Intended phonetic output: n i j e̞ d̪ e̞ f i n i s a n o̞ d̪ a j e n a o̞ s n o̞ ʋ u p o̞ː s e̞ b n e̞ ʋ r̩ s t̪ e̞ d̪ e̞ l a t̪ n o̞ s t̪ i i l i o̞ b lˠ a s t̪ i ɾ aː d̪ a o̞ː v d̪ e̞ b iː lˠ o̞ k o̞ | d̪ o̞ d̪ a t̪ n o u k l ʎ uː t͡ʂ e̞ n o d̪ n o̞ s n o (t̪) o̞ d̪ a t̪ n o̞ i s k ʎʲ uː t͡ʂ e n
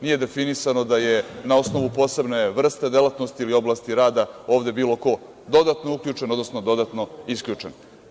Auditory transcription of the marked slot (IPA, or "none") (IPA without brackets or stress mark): d̪